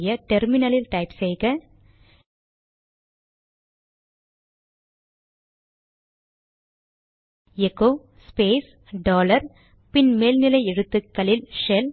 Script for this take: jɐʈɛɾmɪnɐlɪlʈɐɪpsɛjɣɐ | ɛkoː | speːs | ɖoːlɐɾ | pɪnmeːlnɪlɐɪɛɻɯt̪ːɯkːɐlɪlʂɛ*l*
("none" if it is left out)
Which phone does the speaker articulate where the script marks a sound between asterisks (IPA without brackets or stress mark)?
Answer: l